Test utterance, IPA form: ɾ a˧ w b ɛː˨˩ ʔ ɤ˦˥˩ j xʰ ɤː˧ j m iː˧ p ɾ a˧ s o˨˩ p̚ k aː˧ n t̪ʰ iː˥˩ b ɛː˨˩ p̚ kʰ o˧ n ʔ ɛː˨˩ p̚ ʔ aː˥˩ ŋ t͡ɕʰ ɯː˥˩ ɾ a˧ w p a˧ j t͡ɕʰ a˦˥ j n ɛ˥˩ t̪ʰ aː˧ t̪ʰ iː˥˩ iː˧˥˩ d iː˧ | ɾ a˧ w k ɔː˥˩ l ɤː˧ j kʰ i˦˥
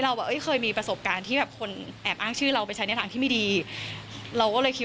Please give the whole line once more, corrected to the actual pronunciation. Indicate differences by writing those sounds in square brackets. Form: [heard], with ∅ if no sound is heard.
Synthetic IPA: ɾ a˧ w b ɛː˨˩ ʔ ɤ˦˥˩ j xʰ ɤː˧ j m iː˧ p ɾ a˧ s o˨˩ p̚ k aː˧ n t̪ʰ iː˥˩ b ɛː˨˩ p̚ kʰ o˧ n ʔ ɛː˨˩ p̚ ʔ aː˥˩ ŋ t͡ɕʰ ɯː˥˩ ɾ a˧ w p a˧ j t͡ɕʰ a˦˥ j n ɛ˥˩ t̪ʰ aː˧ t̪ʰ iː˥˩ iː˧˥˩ d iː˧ | ɾ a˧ w k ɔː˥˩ l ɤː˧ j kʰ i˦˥